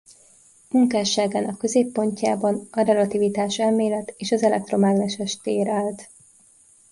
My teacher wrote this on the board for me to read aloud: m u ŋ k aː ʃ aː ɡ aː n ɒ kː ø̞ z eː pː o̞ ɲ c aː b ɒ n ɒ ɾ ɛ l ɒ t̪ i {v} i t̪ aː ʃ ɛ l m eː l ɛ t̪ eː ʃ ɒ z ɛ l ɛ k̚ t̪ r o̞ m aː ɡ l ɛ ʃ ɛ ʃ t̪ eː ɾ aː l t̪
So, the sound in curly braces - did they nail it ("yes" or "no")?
yes